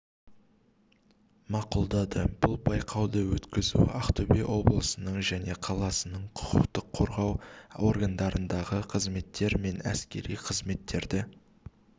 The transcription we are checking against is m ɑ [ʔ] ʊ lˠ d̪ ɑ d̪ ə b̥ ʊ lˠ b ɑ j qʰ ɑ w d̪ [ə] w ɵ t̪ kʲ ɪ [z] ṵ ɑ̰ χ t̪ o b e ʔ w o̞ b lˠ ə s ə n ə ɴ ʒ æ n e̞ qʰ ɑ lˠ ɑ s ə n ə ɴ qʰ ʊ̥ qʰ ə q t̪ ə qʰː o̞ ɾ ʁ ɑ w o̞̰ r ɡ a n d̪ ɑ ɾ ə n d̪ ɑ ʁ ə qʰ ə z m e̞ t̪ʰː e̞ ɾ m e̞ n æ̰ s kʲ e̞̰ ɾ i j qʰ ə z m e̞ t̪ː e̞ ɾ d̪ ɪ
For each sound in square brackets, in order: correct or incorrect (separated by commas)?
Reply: incorrect, correct, correct